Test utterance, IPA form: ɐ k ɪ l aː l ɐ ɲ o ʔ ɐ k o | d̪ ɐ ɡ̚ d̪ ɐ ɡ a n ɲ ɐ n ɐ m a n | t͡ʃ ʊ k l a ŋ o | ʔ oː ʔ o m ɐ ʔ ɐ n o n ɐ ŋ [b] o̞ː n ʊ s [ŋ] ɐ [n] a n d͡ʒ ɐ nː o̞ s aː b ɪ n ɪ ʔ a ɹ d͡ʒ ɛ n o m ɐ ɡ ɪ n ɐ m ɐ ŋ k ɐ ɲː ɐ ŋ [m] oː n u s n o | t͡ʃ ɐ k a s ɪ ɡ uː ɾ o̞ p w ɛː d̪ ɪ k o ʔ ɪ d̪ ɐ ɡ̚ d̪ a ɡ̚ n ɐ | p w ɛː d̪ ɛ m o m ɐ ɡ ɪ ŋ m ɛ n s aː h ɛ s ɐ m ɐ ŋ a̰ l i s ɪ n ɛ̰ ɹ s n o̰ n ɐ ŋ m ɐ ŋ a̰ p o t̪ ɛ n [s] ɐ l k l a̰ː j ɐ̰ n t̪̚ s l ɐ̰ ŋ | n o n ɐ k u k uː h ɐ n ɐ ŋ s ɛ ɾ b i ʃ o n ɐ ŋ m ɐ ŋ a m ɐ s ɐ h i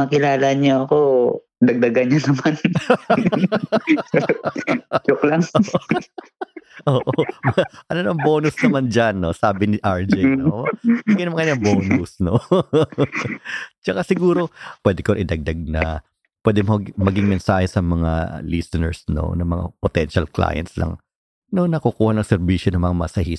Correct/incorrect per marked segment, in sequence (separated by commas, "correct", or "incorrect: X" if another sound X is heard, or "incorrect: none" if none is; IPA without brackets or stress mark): correct, incorrect: n, incorrect: m, incorrect: b, incorrect: ʃ